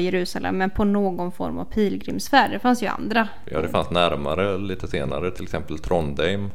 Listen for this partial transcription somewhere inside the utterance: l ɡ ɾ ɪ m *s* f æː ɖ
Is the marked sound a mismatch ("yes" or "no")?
no